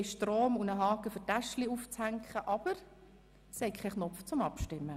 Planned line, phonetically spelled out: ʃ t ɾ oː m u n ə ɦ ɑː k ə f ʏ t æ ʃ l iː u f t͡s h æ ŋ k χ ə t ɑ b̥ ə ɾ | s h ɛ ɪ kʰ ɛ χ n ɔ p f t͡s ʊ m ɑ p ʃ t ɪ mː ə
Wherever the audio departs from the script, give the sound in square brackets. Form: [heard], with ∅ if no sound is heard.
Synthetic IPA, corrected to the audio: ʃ t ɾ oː m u n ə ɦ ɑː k ə f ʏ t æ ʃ l [i] u f t͡s h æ ŋ k χ ə [ʔ] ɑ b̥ ə ɾ | s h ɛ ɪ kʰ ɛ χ n ɔ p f t͡s ʊ m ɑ p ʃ t ɪ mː ə

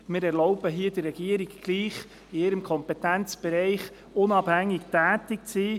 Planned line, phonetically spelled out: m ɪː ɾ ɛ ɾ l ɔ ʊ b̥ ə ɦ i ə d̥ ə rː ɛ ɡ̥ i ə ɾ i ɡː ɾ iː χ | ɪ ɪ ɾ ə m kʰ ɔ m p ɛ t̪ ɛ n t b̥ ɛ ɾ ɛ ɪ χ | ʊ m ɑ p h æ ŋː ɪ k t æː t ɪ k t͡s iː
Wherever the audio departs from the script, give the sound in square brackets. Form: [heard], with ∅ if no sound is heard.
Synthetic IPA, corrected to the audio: m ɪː ɾ ɛ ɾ l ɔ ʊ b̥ ə ɦ i ə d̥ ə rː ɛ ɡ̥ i ə ɾ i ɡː [l] iː χ | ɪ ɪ ɾ ə m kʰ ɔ m p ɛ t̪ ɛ n [t͡s] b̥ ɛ ɾ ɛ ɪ χ | ʊ [n] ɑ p h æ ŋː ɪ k t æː t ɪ k t͡s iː

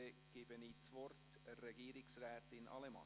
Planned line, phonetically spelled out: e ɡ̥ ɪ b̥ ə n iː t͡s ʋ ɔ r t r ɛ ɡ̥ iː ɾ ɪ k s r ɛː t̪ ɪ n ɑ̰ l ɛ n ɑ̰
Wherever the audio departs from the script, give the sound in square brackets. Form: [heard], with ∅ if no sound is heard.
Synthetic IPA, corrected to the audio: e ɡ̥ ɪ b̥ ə n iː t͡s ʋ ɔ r t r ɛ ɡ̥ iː ɾ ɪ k s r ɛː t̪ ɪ n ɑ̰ l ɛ [m] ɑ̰

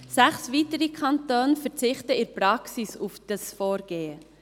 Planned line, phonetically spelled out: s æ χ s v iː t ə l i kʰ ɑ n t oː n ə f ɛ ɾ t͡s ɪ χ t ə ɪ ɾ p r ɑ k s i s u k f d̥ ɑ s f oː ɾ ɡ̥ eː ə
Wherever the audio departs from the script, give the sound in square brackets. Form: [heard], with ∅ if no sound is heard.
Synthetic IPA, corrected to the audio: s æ χ s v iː t ə [ɾ] i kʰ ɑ n t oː n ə f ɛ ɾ t͡s ɪ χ t ə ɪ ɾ p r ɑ k s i s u [∅] f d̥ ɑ s f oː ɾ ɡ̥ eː ə

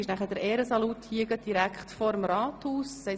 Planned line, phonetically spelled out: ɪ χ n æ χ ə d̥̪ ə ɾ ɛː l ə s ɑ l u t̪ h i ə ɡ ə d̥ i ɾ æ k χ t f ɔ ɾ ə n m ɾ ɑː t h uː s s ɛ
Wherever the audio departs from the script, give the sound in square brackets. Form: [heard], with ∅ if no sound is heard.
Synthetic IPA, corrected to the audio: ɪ [ʃ] n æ χ ə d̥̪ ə ɾ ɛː [ɾ] ə s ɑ l u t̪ h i ə ɡ ə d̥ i ɾ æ k χ t f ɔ ɾ ə [∅] m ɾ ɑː t h uː s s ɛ

